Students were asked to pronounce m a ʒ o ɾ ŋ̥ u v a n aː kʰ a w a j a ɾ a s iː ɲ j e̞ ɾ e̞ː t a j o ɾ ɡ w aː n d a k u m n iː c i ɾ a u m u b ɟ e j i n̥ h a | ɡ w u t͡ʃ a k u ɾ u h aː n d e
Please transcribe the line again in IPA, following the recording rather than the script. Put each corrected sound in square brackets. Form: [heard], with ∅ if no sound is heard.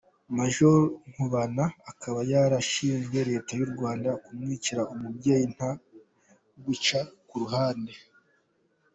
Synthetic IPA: m a ʒ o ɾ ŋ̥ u [β] a n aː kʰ a [β] a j a ɾ a [ʃ] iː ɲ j e̞ ɾ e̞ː t a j [u] ɾ ɡ w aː n d a k u m [ŋ] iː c i ɾ a u m u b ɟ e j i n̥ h a | ɡ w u t͡ʃ a k u ɾ u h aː n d e